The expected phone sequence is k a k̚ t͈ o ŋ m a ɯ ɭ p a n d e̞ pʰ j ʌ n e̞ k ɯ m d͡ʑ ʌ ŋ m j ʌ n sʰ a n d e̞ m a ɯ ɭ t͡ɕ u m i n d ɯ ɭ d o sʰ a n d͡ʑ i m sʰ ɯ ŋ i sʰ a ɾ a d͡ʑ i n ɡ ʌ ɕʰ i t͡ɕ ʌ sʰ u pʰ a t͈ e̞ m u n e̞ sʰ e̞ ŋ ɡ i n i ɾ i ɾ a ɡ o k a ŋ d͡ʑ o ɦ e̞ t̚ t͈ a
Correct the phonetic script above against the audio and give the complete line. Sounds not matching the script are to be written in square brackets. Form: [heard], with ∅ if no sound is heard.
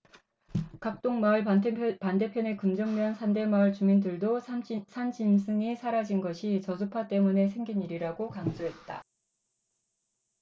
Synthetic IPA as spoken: k a k̚ t͈ o ŋ m a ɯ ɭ p a n d e̞ pʰ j ʌ n e̞ k ɯ m d͡ʑ ʌ ŋ m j ʌ n sʰ a n d e̞ m a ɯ ɭ t͡ɕ u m i n d ɯ ɭ d o sʰ a n d͡ʑ i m sʰ ɯ ŋ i sʰ a ɾ a d͡ʑ i n ɡ ʌ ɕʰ i t͡ɕ ʌ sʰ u pʰ a t͈ e̞ m u n e̞ sʰ e̞ ŋ ɡ i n i ɾ i ɾ a ɡ o k a ŋ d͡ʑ o ɦ e̞ t̚ t͈ a